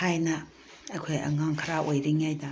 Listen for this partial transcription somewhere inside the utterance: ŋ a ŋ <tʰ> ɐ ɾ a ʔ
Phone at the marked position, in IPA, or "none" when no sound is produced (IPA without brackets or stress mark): kʰ